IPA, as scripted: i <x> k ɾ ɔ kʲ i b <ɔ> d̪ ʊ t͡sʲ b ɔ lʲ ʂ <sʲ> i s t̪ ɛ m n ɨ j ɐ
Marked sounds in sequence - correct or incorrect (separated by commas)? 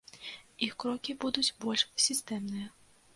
correct, incorrect, correct